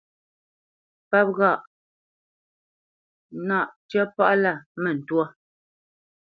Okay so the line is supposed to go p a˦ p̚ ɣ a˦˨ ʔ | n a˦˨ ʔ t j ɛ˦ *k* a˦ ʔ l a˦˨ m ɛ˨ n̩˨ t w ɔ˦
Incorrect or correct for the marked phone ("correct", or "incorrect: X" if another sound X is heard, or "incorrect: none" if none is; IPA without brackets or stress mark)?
incorrect: p